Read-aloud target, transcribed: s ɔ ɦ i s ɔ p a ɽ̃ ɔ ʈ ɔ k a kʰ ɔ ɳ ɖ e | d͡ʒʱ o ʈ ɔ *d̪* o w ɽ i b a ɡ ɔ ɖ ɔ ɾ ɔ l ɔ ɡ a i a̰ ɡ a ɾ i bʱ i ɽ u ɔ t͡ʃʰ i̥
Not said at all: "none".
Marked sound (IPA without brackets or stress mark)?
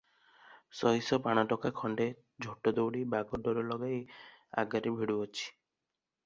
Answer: d̪